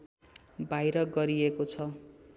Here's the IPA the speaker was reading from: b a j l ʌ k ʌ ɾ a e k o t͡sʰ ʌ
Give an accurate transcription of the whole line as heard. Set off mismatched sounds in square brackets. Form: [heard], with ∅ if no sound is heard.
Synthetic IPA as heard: b a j [ɾ] ʌ [ɡ] ʌ ɾ [i] e k o t͡sʰ ʌ